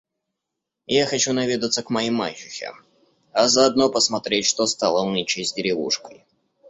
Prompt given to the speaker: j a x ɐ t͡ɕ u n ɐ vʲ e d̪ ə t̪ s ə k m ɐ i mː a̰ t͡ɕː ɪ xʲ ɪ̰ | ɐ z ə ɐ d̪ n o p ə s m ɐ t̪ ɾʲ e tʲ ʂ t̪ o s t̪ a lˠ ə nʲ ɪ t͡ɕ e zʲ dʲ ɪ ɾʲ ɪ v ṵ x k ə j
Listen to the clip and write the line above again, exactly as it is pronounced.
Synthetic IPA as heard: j a x ɐ t͡ɕ u n ɐ vʲ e d̪ ə t̪ s ə k m ɐ i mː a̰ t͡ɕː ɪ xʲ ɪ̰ | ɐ z ə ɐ d̪ n o p ə s m ɐ t̪ ɾʲ e tʲ ʂ t̪ o s t̪ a lˠ ə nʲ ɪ t͡ɕ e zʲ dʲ ɪ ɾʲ ɪ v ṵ ʂ k ə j